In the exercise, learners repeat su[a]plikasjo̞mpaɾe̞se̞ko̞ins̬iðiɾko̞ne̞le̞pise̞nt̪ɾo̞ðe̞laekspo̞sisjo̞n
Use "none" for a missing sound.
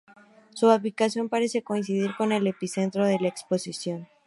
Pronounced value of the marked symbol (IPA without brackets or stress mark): a